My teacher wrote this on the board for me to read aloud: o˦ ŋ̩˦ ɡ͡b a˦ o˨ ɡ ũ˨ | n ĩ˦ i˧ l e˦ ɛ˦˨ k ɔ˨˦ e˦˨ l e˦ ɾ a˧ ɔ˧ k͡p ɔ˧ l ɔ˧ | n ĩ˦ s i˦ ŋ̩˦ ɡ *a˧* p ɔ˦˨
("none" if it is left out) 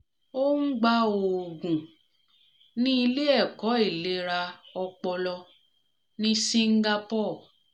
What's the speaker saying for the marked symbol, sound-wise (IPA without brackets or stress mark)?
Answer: a˧